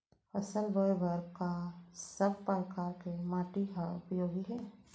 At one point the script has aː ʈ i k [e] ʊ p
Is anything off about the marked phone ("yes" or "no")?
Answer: yes